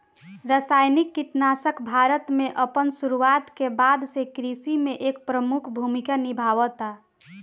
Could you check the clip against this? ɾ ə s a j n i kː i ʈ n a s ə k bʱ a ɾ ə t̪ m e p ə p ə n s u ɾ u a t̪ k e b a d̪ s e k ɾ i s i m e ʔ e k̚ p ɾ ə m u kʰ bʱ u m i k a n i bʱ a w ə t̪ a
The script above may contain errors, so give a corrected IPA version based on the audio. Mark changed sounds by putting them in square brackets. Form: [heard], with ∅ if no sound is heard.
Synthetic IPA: ɾ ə s a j n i kː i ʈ n a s ə k bʱ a ɾ ə t̪ m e [ʔ] ə p ə n s u ɾ u a t̪ k e b a d̪ s e k ɾ i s i m e ʔ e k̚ p ɾ ə m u kʰ bʱ u m i k a n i bʱ a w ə t̪ a